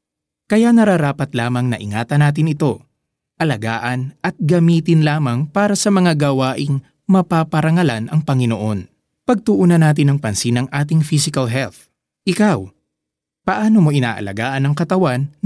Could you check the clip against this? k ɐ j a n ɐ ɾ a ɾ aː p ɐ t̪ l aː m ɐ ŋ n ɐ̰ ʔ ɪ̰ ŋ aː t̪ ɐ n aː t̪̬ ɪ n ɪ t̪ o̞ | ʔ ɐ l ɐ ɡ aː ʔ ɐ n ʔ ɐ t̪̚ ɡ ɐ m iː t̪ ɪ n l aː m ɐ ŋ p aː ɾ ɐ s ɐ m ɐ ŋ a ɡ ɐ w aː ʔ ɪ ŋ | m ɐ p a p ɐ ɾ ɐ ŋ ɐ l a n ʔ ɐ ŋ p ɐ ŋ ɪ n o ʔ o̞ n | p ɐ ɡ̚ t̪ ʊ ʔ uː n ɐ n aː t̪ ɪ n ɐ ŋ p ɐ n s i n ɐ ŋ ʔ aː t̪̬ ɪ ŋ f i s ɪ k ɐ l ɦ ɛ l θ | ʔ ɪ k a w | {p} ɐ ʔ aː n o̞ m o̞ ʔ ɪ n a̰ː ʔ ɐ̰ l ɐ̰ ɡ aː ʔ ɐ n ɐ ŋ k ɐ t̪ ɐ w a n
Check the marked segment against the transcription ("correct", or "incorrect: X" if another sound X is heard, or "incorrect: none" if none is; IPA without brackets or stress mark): correct